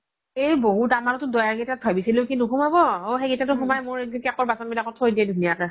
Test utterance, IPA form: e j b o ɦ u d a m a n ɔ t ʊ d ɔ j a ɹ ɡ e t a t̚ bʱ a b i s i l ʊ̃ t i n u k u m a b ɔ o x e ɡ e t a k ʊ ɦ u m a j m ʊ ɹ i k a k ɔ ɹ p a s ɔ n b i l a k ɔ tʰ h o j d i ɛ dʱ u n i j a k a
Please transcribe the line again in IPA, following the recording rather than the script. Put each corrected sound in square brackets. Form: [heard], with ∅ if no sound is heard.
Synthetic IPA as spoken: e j b o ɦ u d a m a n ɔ t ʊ d ɔ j a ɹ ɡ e t a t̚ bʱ a b i s i l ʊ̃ [k] i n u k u m a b ɔ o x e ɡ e t a [t] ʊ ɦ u m a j m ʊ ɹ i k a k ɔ ɹ [b] a s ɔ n b i l a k ɔ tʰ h o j d i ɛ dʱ u n i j a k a